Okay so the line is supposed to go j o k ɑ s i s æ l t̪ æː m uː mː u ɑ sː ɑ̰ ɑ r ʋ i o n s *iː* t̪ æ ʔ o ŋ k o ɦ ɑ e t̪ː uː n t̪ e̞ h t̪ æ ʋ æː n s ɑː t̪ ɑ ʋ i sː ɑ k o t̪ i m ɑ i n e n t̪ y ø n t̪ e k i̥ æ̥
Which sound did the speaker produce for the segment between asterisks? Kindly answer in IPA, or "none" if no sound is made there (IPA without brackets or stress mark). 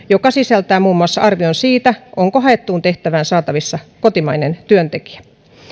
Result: iː